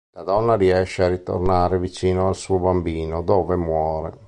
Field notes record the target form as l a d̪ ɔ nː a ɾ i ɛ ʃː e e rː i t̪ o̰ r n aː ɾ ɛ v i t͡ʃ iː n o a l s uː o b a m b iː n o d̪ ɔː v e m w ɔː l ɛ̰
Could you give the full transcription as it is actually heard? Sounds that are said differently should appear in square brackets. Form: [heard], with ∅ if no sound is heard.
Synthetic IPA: l a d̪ ɔ nː a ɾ i ɛ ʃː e [a] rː i t̪ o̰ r n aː ɾ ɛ v i t͡ʃ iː n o a l s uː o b a m b iː n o d̪ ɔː v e m w ɔː [ɾ] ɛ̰